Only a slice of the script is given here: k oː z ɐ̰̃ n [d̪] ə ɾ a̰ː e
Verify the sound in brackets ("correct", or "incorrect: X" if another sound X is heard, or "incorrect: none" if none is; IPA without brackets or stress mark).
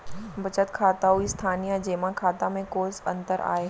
incorrect: t̪